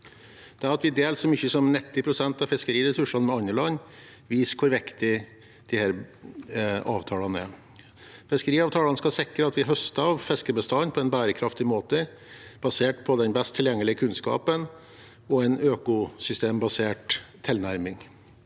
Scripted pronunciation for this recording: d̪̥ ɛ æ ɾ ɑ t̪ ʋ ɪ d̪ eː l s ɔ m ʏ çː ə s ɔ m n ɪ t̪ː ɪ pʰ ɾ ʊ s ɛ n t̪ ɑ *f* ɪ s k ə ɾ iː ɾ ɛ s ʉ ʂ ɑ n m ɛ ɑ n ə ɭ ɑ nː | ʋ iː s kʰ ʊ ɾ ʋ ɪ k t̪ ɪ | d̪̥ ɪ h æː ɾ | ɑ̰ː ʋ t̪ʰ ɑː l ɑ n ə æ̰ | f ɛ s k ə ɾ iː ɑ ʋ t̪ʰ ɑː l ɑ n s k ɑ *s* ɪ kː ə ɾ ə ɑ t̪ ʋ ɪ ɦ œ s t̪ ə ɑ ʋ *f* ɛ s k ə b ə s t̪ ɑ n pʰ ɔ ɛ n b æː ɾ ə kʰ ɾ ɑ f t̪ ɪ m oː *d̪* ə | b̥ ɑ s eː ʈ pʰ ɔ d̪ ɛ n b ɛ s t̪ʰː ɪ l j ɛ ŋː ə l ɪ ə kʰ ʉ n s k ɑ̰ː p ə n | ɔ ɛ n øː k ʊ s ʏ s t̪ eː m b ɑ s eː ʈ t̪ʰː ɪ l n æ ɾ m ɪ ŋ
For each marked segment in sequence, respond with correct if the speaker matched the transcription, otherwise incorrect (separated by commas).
correct, correct, correct, incorrect